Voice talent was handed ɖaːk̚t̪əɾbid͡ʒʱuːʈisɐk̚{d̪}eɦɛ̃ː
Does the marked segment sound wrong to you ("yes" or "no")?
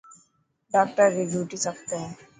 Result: yes